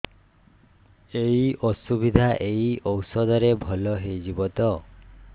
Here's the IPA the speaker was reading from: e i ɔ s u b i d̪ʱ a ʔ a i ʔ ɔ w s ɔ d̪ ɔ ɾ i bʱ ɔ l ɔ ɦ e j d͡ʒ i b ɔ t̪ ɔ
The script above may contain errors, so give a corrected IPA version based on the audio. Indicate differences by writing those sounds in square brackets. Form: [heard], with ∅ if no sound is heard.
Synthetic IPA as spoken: e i ɔ s u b i d̪ʱ a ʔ [e] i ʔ ɔ w s ɔ d̪ ɔ ɾ [e] bʱ ɔ l ɔ ɦ e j d͡ʒ i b ɔ t̪ ɔ